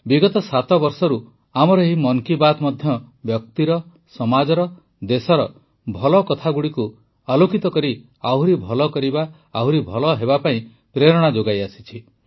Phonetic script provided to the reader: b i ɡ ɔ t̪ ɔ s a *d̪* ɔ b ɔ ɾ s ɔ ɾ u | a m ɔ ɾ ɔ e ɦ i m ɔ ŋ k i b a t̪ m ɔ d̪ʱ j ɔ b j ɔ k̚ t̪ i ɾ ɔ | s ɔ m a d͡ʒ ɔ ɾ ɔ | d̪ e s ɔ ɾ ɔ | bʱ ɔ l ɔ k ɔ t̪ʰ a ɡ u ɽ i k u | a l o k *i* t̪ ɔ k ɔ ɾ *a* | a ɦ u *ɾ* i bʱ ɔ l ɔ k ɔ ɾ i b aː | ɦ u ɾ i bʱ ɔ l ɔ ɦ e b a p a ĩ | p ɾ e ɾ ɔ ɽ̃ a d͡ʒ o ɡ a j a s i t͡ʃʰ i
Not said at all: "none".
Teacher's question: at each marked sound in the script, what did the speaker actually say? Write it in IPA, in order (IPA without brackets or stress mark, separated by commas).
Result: t̪, i, i, ɾ